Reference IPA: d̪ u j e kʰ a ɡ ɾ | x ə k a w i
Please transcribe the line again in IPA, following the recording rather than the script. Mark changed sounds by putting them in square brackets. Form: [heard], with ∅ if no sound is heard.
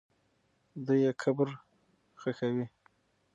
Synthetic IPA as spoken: d̪ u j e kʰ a [b] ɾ | x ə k a w i